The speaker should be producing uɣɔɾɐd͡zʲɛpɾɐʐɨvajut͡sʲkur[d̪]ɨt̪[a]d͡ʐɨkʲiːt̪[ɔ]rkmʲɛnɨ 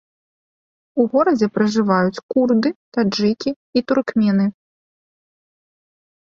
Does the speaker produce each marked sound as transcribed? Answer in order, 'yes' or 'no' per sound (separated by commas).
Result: yes, yes, no